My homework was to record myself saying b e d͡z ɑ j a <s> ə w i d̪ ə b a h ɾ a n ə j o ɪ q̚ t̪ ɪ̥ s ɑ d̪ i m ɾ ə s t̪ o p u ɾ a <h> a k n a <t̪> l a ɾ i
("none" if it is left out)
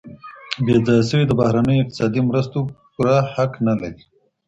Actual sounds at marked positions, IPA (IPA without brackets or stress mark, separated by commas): s, h, none